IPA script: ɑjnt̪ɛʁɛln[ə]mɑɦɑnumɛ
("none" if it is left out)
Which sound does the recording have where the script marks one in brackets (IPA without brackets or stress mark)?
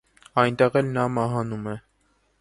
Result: ɑ